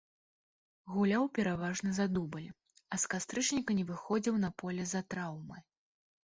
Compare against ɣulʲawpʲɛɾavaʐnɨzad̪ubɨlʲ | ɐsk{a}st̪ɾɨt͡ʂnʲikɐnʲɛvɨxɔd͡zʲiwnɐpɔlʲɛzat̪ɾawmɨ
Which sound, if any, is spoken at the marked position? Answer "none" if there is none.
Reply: a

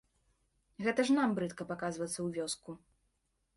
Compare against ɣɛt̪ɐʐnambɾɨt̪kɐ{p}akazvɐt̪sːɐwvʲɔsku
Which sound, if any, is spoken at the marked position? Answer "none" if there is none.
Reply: p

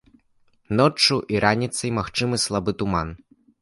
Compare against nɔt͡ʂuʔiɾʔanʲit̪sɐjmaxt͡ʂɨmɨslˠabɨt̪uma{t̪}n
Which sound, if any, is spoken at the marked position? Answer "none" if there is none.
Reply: none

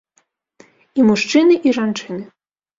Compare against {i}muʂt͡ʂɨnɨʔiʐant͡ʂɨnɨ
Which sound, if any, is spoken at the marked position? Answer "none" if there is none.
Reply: i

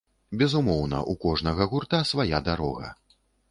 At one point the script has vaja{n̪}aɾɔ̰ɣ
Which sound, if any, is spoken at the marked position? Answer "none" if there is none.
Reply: d̪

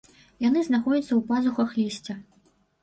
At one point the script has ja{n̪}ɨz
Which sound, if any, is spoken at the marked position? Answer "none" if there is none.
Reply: n̪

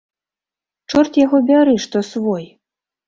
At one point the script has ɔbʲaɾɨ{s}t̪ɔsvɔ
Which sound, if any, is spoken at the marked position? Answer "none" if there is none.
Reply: ʂ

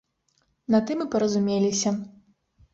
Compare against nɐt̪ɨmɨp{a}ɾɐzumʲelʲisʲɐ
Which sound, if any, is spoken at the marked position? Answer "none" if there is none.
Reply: ɐ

